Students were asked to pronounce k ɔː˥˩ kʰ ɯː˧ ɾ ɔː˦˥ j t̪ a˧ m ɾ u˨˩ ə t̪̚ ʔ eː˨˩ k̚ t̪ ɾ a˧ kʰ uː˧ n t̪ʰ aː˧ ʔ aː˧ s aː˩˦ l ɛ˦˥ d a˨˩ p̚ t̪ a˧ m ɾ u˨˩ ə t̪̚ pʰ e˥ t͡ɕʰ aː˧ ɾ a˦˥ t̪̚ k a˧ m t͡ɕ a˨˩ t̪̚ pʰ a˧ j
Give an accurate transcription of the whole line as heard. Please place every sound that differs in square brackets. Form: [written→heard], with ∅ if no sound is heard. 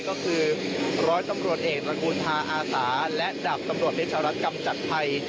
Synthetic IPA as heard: k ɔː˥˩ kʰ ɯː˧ ɾ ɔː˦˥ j t̪ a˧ m ɾ u˨˩ ə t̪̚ ʔ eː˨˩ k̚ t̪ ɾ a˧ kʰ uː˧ n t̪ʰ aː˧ ʔ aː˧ s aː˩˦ l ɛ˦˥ d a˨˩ p̚ t̪ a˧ m ɾ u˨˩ ə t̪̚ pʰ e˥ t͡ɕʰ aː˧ ɾ a˦˥ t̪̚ k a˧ m t͡ɕ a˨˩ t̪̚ pʰ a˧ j